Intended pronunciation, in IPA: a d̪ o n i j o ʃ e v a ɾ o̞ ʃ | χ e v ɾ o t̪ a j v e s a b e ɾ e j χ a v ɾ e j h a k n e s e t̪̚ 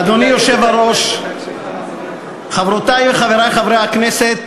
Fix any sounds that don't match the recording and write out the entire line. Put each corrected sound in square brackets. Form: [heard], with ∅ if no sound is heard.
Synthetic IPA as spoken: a d̪ o n i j o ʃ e v a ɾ o̞ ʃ | χ [a] v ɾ o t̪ a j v e [χ] a [v] e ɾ [a] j χ a v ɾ e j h a k n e s e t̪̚